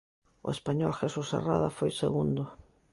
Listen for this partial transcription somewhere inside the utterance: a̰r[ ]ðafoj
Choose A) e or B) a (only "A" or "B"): B